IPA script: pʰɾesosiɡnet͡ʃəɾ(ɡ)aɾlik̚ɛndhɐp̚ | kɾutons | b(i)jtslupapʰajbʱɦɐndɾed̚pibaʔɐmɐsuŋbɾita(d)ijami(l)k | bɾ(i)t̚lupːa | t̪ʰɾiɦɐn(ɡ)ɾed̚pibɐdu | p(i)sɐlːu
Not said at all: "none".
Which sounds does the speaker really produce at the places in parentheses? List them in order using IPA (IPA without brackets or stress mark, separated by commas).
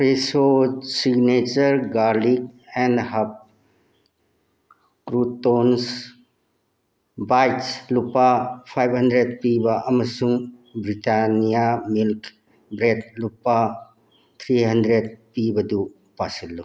ɡ, a, n, l, e, d, a